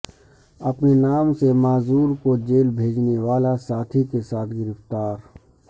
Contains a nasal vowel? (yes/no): no